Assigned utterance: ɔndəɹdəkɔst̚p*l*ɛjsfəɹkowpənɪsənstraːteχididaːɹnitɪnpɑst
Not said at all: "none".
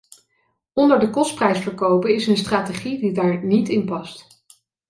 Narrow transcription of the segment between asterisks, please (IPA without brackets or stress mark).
r